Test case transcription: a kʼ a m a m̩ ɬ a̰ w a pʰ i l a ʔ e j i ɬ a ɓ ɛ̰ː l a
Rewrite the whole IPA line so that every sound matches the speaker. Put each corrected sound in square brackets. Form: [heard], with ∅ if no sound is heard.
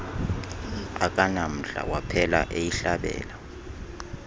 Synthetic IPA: a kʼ a [n] a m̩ ɬ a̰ w a pʰ [ɛ] l a ʔ e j i ɬ a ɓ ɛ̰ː l a

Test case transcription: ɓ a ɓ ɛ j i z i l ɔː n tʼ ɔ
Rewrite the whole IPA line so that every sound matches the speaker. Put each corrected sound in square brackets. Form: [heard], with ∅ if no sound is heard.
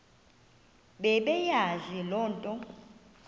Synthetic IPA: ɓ [ɛ] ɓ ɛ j [a] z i l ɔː n tʼ ɔ

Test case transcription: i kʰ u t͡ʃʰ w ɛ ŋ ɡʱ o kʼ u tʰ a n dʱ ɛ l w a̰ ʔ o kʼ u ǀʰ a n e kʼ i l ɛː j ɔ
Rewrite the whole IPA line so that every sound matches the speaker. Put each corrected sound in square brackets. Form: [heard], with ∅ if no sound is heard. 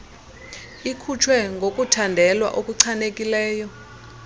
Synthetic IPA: i kʰ u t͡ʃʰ w ɛ ŋ ɡʱ o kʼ u tʰ a n dʱ ɛ l w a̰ ʔ o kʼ u ǀʰ a n e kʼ i l ɛː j ɔ

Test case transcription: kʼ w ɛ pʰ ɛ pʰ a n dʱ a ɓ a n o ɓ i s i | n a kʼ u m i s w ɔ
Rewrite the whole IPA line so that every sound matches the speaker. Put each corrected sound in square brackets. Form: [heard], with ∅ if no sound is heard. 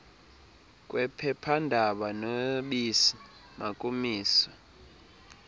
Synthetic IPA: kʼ w ɛ pʰ ɛ pʰ a n dʱ a ɓ a n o ɓ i s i | [m] a kʼ u m [iː] s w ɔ

